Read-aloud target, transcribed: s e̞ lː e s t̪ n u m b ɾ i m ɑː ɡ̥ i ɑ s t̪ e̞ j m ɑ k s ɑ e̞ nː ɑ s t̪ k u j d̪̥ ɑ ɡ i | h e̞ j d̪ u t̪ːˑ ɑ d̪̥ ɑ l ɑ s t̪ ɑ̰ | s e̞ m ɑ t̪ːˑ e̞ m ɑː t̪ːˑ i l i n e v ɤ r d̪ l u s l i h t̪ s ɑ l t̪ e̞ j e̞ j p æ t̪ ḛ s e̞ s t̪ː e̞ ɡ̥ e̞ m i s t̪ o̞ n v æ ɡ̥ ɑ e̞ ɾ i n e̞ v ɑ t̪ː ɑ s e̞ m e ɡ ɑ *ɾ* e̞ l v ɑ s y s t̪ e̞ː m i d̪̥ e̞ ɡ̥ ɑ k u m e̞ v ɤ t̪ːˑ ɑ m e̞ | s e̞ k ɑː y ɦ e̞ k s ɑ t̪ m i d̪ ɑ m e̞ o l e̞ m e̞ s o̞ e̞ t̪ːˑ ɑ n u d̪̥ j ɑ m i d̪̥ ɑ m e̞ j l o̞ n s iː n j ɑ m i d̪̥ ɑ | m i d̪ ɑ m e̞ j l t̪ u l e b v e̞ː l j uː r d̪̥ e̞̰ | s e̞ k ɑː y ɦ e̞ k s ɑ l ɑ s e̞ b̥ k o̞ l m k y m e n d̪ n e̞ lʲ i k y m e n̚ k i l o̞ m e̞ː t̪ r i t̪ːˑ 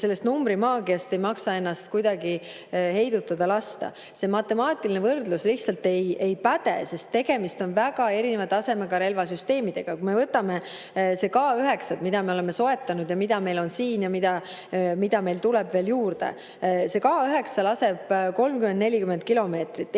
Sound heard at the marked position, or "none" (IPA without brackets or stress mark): ɾ